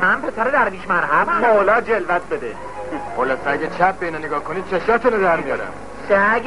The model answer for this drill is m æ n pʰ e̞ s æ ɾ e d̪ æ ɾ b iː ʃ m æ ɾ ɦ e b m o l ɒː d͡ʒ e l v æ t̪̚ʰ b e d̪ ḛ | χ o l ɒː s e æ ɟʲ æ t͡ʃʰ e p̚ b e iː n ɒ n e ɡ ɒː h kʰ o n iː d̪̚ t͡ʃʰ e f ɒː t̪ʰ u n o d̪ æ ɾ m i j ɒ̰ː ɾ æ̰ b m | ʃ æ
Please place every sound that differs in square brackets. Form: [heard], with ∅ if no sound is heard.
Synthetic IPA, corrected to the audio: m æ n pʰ e̞ s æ ɾ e d̪ æ ɾ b iː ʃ m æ ɾ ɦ [æ] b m o l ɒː d͡ʒ e l v æ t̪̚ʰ b e d̪ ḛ | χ o l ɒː s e æ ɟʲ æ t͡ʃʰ [æ] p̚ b e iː n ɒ n e ɡ ɒː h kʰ o n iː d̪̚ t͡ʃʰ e [ʃ] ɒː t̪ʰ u n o d̪ æ ɾ m i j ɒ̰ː ɾ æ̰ [∅] m | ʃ æ